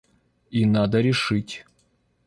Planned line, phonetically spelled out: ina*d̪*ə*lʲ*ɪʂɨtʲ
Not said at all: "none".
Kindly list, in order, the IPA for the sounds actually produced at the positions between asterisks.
d̪, ɾʲ

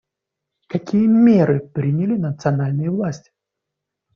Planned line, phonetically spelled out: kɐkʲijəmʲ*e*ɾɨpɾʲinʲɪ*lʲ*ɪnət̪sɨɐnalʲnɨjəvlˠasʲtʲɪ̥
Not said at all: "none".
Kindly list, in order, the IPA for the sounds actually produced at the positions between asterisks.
e, lʲ

